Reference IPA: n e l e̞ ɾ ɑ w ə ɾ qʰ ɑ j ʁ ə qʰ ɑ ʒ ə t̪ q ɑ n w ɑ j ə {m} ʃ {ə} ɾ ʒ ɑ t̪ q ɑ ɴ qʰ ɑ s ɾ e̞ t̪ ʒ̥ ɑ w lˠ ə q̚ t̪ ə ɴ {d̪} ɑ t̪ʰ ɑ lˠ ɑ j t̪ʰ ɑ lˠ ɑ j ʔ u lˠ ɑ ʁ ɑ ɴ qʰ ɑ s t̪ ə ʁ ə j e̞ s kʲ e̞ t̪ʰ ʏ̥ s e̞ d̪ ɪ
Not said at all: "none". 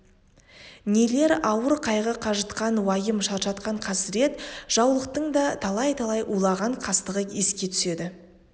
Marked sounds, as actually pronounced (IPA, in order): m, ɑ, d̪

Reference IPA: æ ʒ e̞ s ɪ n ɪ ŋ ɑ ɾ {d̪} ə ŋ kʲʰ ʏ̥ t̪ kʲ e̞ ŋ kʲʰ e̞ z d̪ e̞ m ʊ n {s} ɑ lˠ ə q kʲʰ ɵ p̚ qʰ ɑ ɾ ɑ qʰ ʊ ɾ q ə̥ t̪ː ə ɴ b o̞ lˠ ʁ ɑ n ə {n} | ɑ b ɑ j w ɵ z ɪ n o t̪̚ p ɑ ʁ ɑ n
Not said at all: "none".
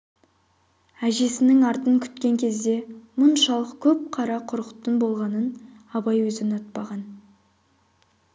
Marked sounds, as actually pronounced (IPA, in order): t̪, ʃ, n

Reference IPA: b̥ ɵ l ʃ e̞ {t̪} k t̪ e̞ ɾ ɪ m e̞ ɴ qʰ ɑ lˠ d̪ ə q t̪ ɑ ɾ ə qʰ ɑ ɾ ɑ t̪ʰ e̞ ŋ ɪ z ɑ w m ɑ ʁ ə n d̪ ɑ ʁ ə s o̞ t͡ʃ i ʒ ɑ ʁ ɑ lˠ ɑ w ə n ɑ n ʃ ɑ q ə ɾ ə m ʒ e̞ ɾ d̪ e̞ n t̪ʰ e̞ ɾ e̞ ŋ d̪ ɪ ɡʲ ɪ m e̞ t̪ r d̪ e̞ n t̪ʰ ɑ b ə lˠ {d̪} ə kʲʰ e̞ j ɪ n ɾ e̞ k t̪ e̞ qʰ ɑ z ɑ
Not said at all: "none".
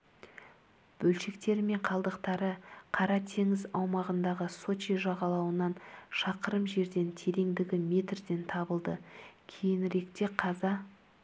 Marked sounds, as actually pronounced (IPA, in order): none, d̪

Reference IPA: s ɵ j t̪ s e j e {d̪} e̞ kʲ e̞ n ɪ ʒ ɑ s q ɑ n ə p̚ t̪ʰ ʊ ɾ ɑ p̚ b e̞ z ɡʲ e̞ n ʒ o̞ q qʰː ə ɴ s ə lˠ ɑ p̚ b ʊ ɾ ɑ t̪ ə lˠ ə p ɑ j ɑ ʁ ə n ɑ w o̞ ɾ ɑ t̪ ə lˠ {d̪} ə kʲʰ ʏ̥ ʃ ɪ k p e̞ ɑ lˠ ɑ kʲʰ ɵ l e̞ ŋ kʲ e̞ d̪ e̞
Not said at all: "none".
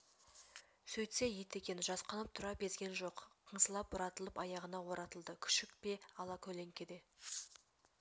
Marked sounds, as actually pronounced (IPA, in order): t̪, d̪

